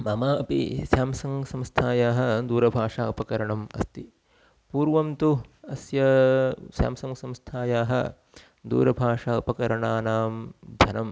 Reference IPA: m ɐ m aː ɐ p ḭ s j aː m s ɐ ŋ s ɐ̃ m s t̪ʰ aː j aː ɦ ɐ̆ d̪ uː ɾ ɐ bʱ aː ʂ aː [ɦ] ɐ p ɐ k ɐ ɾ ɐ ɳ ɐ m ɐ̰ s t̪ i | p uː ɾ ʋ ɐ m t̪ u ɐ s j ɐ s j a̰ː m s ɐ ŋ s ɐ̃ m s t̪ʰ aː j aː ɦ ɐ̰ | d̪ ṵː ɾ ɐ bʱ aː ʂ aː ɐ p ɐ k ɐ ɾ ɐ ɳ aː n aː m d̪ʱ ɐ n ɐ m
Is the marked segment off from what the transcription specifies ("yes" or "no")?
yes